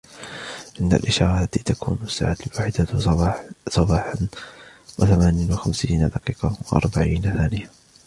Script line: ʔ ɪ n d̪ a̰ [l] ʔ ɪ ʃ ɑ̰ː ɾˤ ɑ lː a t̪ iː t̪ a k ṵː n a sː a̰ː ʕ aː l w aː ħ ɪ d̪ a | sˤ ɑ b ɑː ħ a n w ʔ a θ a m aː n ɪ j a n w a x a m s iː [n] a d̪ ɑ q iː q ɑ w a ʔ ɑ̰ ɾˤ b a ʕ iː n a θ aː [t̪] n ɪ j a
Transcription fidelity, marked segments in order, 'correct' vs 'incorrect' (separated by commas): correct, correct, incorrect